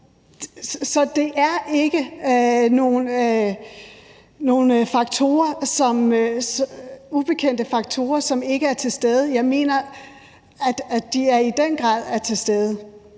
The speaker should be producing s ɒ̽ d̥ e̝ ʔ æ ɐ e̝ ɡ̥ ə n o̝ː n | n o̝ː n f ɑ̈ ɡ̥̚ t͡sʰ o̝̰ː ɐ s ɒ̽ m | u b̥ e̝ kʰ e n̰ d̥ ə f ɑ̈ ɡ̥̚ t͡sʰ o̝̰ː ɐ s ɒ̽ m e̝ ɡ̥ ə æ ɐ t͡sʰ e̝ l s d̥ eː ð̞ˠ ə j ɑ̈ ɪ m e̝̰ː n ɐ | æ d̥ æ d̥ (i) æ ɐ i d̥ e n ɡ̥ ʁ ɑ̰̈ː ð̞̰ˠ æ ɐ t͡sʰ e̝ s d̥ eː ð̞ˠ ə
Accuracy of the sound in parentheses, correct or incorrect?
correct